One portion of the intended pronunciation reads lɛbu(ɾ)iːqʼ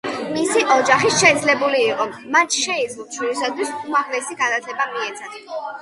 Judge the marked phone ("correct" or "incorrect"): incorrect